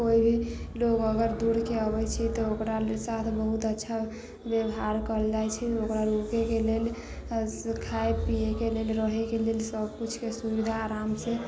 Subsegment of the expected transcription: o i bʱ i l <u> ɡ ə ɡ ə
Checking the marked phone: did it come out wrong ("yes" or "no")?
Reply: yes